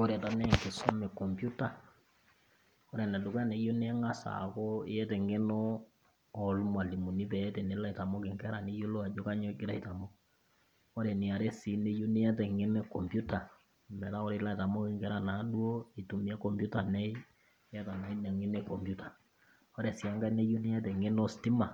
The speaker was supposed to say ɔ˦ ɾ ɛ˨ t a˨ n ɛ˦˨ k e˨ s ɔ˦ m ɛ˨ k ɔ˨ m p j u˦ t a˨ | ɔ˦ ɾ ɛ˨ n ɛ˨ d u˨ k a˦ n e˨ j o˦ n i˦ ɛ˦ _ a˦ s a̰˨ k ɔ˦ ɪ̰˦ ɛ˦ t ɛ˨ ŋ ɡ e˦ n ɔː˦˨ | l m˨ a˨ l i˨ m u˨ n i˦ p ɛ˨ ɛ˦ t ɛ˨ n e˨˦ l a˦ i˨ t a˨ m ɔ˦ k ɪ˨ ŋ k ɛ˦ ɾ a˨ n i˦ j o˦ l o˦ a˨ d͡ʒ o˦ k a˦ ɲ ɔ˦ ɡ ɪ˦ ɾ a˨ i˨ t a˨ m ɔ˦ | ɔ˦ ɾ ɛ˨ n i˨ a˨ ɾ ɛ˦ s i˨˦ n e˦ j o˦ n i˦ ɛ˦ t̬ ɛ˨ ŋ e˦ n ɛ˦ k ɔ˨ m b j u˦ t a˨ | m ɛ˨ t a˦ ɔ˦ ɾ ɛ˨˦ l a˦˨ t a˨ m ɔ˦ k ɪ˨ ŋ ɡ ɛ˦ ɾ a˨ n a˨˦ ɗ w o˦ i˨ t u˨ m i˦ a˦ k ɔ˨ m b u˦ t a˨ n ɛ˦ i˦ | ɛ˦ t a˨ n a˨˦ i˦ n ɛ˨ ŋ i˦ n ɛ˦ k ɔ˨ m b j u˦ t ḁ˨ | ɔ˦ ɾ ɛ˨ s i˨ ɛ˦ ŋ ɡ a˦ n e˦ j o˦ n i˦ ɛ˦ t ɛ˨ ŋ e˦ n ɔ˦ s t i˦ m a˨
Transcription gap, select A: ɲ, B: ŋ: B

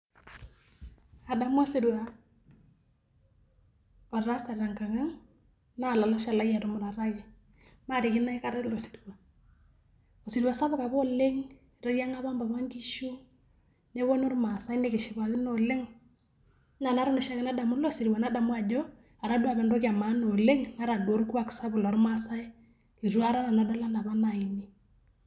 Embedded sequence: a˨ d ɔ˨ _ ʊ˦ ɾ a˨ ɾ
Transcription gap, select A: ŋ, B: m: B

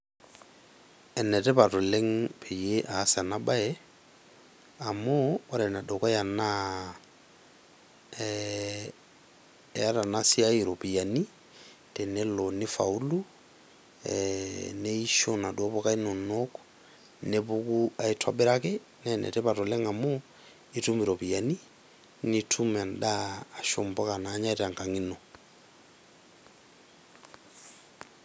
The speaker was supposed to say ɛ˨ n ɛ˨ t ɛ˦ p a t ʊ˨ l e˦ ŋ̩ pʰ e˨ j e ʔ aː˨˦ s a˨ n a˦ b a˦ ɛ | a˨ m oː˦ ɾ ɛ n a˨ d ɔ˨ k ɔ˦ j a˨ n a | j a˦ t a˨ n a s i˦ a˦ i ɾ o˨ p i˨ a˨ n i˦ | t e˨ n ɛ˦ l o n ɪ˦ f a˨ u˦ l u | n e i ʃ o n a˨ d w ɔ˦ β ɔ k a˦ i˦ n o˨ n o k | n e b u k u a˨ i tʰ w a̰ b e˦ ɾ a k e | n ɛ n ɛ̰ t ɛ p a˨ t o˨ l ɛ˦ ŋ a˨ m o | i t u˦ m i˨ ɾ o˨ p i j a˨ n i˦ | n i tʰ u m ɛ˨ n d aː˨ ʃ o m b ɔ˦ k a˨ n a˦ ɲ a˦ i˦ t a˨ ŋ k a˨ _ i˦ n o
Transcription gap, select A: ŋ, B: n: A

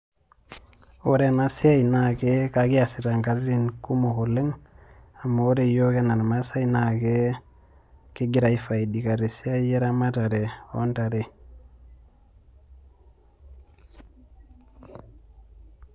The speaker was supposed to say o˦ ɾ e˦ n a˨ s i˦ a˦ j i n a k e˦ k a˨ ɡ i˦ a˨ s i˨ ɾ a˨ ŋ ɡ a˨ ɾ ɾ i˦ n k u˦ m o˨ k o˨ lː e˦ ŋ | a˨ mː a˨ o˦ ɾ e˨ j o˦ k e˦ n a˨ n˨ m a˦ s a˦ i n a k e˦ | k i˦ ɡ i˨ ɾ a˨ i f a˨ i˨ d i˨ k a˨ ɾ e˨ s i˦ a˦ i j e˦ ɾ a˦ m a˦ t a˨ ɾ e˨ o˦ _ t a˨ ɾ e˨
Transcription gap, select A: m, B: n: B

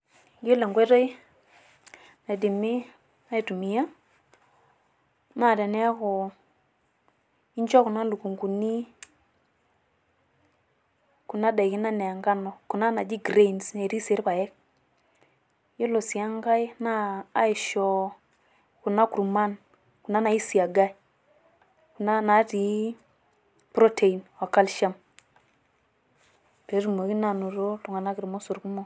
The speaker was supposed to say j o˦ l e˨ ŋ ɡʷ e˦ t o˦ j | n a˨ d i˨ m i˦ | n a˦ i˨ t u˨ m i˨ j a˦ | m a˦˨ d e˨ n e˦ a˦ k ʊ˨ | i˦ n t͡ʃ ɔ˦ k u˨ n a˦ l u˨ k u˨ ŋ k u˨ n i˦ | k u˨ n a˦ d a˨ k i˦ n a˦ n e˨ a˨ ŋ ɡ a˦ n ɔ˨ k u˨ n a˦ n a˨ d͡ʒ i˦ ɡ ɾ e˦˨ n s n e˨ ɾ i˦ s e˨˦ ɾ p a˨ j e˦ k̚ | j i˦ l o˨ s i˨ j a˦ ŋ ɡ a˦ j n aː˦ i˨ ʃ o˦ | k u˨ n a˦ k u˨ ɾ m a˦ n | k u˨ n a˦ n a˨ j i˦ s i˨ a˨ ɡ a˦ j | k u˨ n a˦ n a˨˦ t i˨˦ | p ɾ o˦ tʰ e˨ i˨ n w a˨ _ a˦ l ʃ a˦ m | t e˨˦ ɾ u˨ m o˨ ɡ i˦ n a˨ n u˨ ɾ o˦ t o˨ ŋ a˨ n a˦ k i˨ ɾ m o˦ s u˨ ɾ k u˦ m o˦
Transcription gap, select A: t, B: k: B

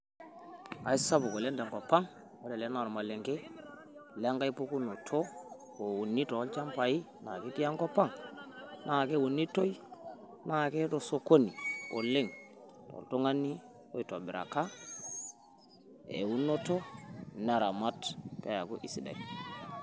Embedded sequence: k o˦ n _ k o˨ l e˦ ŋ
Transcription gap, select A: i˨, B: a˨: A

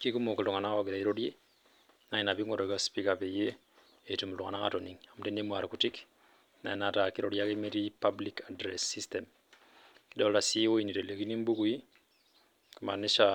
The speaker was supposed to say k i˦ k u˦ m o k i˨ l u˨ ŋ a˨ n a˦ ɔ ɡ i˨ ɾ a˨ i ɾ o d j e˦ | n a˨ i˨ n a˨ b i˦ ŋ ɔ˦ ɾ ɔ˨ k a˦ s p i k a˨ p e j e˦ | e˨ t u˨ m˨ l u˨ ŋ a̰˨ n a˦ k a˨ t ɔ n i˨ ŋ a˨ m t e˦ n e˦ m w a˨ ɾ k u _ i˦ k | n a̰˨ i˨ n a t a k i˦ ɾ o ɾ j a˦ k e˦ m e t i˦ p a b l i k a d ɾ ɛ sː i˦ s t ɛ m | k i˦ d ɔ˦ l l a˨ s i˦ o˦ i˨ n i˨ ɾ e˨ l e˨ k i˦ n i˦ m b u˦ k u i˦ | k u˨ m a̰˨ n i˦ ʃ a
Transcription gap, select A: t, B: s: A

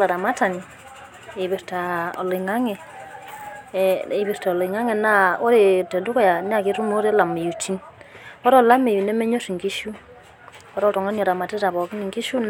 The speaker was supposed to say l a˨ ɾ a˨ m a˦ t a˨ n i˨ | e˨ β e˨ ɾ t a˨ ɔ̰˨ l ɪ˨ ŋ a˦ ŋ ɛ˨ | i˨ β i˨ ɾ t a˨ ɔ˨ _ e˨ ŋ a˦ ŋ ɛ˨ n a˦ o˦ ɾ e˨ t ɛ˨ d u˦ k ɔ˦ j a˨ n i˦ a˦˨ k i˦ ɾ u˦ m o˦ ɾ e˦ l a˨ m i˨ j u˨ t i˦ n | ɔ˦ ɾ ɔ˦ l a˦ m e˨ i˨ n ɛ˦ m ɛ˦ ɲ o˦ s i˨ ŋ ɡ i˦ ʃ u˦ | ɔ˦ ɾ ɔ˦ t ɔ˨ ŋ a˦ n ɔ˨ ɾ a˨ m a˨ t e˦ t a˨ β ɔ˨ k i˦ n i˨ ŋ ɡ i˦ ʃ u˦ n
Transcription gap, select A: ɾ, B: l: B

